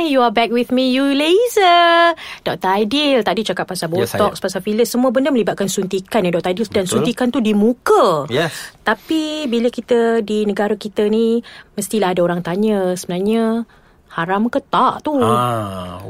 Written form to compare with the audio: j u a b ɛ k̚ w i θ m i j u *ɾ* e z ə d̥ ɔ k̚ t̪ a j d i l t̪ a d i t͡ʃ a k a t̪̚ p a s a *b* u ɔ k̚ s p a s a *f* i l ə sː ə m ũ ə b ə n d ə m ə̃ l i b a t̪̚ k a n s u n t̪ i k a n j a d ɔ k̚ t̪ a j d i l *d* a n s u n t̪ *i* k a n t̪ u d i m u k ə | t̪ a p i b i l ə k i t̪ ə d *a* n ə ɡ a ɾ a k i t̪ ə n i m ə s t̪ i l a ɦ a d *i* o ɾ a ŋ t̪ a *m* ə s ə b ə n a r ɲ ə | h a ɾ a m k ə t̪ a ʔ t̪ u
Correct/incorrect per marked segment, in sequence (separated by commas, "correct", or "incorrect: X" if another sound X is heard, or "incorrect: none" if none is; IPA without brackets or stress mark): incorrect: l, correct, correct, correct, correct, incorrect: i, incorrect: a, incorrect: ɲ